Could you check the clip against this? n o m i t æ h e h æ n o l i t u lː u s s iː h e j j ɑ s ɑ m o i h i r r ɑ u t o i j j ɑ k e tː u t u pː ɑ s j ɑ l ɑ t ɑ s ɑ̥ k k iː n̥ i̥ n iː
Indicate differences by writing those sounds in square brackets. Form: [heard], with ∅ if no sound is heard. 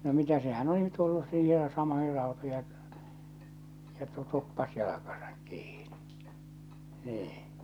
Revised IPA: n o m i t æ [s] e h æ n o l i t u lː u s s iː h e j j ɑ s ɑ m o i h i r r ɑ u t o i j j ɑ k e tː u t u pː ɑ s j ɑ l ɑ [k] ɑ s ɑ̥ k k iː n̥ i̥ n iː